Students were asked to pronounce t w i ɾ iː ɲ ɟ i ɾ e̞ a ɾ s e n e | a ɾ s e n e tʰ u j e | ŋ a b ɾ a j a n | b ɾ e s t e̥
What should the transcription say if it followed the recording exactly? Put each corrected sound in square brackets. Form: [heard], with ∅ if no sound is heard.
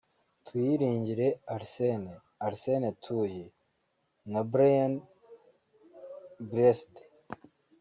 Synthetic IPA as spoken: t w i ɾ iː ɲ ɟ i ɾ e̞ a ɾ s e n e | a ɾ s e n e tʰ u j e | [n] a b ɾ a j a n | b ɾ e s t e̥